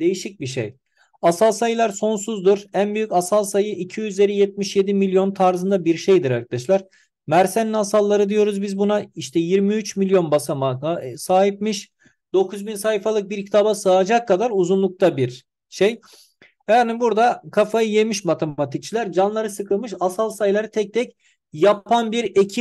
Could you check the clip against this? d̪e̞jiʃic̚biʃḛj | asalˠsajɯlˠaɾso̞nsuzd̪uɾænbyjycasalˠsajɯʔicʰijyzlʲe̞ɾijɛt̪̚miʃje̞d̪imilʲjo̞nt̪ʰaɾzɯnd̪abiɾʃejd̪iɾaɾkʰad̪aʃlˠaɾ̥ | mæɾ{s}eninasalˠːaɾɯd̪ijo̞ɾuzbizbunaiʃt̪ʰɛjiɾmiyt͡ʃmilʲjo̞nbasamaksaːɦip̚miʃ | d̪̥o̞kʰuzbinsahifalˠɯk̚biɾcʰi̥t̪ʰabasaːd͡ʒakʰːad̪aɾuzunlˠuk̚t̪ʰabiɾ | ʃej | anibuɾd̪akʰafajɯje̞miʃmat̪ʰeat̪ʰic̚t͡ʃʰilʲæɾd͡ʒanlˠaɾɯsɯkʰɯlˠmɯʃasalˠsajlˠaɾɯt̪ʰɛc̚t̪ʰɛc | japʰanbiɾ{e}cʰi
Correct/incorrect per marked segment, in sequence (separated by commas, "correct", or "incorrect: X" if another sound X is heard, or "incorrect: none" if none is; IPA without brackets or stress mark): correct, correct